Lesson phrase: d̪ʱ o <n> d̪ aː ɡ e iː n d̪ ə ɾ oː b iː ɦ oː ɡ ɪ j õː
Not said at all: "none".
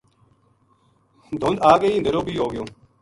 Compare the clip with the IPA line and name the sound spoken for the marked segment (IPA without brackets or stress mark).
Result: n